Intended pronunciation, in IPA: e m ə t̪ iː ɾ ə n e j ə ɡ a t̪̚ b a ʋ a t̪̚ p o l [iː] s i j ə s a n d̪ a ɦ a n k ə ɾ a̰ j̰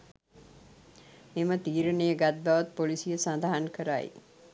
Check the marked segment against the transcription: incorrect: i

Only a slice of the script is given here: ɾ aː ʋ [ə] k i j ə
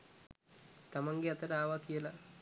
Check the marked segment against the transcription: incorrect: a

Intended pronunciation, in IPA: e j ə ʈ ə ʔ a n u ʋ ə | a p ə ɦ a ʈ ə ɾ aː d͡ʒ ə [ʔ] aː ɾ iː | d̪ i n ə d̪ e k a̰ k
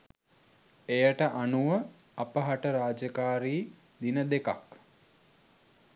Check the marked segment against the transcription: incorrect: k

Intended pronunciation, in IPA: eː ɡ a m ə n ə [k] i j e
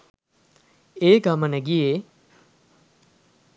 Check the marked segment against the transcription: incorrect: ɡ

